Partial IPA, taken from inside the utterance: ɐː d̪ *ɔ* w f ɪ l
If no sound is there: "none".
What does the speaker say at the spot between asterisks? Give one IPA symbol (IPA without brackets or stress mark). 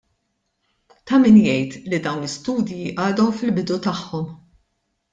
ɔ